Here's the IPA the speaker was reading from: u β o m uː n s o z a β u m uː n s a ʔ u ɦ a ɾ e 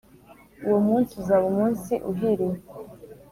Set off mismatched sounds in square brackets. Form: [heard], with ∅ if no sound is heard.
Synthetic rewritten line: u [w] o m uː n s [u] z a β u m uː n s [i] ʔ u ɦ [i] ɾ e